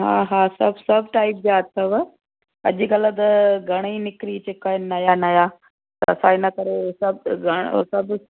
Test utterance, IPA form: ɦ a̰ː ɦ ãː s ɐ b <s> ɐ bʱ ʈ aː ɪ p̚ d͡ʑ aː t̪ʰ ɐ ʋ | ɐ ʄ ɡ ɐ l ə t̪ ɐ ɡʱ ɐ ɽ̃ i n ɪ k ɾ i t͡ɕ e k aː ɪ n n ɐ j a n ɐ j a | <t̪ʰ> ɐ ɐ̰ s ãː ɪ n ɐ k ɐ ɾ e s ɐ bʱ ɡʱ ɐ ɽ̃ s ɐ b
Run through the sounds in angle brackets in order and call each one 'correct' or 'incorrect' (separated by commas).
correct, incorrect